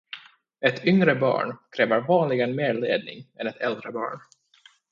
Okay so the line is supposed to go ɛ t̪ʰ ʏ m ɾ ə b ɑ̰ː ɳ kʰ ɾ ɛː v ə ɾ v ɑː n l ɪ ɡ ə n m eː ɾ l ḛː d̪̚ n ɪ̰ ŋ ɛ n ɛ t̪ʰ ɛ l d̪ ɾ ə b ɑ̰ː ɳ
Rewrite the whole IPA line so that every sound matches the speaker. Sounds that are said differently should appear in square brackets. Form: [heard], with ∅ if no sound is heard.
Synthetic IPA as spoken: ɛ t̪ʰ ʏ [ŋ] ɾ ə b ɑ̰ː ɳ kʰ ɾ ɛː v ə ɾ v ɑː n l ɪ ɡ ə n m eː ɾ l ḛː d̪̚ n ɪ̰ ŋ ɛ n ɛ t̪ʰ ɛ l d̪ ɾ ə b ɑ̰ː ɳ